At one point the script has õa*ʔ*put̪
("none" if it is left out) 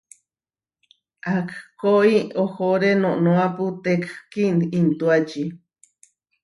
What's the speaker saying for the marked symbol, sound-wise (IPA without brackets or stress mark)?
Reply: none